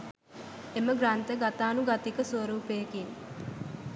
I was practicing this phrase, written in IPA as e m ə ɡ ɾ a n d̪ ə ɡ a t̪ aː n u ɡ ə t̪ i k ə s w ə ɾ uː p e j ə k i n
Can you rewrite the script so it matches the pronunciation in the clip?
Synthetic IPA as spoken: e m ə ɡ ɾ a n t̪ ə ɡ a t̪ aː n u ɡ a t̪ i k ə s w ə ɾ uː p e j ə k i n